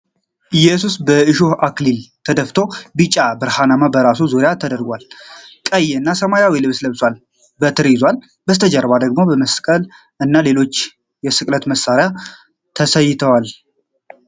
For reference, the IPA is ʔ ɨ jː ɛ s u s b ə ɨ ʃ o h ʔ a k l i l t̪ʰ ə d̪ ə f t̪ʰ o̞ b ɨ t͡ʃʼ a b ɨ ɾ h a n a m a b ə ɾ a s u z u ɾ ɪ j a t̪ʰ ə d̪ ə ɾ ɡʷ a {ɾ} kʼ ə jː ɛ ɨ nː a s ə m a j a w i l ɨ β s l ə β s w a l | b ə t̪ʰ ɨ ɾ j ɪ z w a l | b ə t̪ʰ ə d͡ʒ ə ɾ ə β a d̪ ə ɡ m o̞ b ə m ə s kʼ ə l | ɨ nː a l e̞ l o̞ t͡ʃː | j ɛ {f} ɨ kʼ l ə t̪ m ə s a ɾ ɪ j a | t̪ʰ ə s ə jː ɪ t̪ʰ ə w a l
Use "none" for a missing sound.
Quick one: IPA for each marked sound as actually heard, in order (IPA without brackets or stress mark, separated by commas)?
l, s